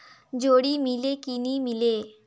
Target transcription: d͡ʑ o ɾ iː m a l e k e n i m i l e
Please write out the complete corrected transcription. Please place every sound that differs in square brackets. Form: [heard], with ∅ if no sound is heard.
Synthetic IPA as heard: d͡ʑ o [ɽ] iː m [i] l e k [i] n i m i l e